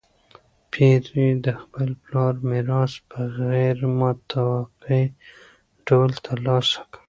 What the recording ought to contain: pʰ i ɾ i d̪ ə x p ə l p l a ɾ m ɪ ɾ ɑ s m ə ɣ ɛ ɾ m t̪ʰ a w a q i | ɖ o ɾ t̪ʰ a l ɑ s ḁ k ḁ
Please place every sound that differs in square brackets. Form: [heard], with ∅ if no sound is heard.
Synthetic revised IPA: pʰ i ɾ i d̪ ə x p ə l p l [ɑ] ɾ m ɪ ɾ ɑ s [b] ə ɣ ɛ ɾ m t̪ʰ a w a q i | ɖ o [l] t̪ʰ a l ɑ s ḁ k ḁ

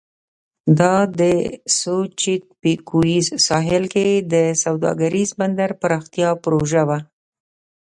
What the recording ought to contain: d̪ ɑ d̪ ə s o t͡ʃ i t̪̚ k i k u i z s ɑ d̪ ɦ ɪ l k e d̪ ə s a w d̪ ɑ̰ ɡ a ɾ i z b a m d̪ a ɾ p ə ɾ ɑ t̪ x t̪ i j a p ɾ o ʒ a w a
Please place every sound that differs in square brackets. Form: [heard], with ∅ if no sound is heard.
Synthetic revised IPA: d̪ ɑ d̪ ə s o t͡ʃ i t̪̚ [p] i k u i z s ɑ [∅] ɦ ɪ l k e d̪ ə s a w d̪ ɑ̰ ɡ a ɾ i z b a [n] d̪ a ɾ p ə ɾ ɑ [∅] x t̪ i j [ɑ] p ɾ o ʒ a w a

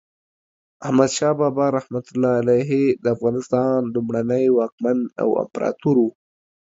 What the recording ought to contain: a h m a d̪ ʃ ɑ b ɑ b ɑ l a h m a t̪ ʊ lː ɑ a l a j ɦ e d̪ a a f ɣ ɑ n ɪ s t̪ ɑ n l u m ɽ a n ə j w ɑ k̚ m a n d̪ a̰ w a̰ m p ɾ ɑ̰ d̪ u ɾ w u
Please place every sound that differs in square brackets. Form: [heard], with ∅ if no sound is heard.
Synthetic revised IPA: a h m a d̪ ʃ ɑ b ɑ b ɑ [ɾ] a h m a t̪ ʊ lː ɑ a l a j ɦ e d̪ [ə] a f ɣ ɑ n ɪ s t̪ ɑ n l u m ɽ a n ə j w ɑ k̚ m a n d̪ a̰ w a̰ m p ɾ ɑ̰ [t̪] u ɾ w u

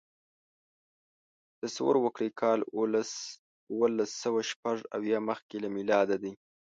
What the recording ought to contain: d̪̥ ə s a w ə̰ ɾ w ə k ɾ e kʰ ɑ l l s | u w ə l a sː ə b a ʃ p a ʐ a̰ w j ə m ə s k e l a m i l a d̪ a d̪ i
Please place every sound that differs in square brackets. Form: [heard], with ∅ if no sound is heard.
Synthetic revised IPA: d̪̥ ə s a w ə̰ ɾ w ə k [ɽ] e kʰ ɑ l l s | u w ə l a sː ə [w] a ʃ p a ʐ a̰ w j [ɑ] m ə [x] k e l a m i l [ɑ] d̪ a d̪ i

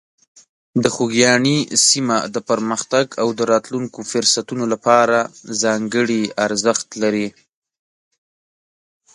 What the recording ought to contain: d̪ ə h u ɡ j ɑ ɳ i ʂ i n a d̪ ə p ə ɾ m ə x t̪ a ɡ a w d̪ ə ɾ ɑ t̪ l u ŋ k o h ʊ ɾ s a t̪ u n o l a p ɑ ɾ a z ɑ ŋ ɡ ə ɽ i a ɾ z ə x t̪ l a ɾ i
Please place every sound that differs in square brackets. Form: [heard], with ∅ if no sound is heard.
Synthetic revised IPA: d̪ ə [x] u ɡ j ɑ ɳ i [s] i [m] a d̪ ə p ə ɾ m ə x t̪ a ɡ a w d̪ ə ɾ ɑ t̪ l u ŋ k o [f] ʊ ɾ s a t̪ u n o l a p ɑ ɾ a z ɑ ŋ ɡ ə ɽ i a ɾ z ə x t̪ l a ɾ i

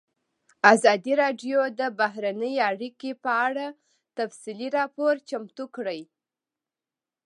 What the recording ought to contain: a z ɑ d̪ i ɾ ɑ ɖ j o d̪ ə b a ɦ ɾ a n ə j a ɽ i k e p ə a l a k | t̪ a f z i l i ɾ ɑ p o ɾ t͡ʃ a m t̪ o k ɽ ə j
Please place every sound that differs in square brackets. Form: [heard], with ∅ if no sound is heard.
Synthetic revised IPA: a z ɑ d̪ i ɾ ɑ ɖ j o d̪ ə b a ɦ ɾ a n ə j a ɽ i k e p ə a [ɽ] a [∅] | t̪ a f [s] i l i ɾ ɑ p o ɾ t͡ʃ a m t̪ [u] k ɽ ə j

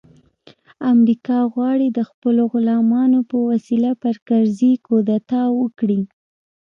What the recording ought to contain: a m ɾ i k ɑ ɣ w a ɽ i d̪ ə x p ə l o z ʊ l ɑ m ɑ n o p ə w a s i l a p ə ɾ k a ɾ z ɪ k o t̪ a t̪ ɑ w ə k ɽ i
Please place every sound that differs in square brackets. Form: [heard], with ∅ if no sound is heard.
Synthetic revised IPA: a m ɾ i k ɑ ɣ w [ɑ] ɽ i d̪ ə x p ə l o [ɣ] ʊ l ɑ m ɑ n o p ə w a s i l a p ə ɾ k a ɾ z [i] k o [d̪] a t̪ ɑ w ə k ɽ i

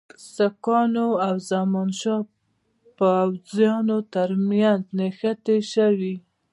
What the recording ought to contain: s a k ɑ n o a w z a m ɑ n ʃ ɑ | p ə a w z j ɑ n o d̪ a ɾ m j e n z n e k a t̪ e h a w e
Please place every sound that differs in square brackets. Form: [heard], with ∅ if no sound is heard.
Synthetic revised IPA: s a k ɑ n o a w z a m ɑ n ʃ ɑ | p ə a w z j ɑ n o [t̪] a ɾ m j [a] n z n e [x] a t̪ e [ʃ] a w [i]

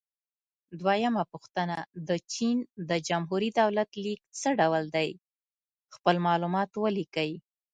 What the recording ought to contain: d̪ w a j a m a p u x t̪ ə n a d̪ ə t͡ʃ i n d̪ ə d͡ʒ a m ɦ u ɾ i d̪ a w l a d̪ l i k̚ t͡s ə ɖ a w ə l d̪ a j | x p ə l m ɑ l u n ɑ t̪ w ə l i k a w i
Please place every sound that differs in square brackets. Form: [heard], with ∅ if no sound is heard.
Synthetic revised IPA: d̪ w a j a m a p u x t̪ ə n a d̪ ə t͡ʃ i n d̪ ə d͡ʒ a m ɦ u ɾ i d̪ a w l a [t̪] l i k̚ t͡s ə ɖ a w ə l d̪ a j | x p ə l m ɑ l u [m] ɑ t̪ w ə l i k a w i

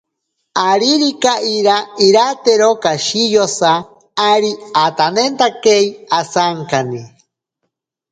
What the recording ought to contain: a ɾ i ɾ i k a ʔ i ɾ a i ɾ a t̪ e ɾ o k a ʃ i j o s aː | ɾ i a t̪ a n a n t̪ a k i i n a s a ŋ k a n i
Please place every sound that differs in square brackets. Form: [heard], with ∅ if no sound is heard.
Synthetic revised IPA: a ɾ i ɾ i k a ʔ i ɾ a i ɾ a t̪ e ɾ o k a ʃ i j o s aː | ɾ i a t̪ a n [e] n t̪ a k [e] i [∅] a s a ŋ k a n i

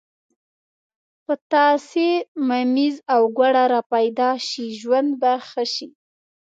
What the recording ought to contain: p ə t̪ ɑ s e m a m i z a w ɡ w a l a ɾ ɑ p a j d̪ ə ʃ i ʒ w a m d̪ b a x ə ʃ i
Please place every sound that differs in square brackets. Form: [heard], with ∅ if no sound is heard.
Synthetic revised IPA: p ə t̪ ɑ s e m a m i z a w ɡ w a [ɽ] a ɾ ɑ p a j d̪ [ɑ] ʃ i ʒ w a [n] d̪ b a x ə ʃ i

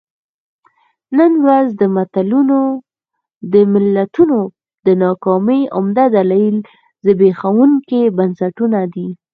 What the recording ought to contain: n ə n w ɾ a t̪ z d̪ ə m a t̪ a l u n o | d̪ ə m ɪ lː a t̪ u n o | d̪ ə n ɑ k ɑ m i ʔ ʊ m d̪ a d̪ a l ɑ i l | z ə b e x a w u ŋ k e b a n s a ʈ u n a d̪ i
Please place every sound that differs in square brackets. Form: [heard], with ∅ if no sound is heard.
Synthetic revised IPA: n ə n w ɾ a [∅] z d̪ ə m a t̪ a l u n o | d̪ ə m ɪ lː a t̪ u n o | d̪ ə n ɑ k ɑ m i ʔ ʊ m d̪ a d̪ a l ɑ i l | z ə b e x a w u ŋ k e b a n s a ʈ u n a d̪ i

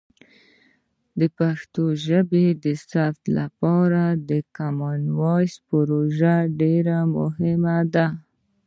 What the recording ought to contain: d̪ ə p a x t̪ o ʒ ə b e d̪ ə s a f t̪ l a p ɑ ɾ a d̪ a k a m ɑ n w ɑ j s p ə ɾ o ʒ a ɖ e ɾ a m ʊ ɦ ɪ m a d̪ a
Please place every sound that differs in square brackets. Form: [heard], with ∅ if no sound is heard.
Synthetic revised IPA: d̪ ə p a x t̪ o ʒ ə b e d̪ ə s a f t̪ l a p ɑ ɾ a d̪ [ə] k a m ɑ n w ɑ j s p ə ɾ o ʒ a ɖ e ɾ a m ʊ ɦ ɪ m a d̪ a

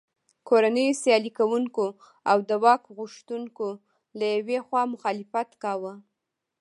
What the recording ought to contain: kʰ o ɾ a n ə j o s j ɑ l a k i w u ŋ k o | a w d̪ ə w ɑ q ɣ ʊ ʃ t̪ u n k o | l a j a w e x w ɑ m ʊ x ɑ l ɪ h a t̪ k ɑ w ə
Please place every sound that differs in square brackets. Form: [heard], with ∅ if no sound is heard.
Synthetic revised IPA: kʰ o ɾ a n ə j o s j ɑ l [i] k [a] w u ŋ k o | a w d̪ ə w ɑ [k] ɣ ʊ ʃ t̪ u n k o | l a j a w e x w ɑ m ʊ x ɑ l ɪ [f] a t̪ k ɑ w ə

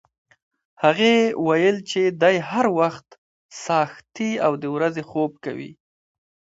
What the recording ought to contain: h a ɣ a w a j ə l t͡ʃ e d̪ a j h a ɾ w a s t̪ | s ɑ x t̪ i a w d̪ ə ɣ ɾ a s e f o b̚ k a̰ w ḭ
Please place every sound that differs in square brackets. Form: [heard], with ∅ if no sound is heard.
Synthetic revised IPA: h a ɣ [e] w a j ə l t͡ʃ e d̪ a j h a ɾ w a [x] t̪ | s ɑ x t̪ i a w d̪ ə [w] ɾ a [z] e [x] o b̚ k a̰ w ḭ

